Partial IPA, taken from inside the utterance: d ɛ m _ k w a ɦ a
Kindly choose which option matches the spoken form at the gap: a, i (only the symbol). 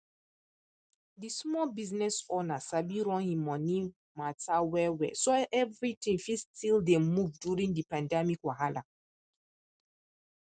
i